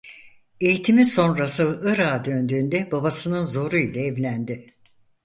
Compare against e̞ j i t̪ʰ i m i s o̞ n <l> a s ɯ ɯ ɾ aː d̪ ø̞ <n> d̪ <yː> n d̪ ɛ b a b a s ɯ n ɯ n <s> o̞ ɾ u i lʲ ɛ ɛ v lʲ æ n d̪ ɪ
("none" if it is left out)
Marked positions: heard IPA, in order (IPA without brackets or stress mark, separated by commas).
ɾ, n, yː, z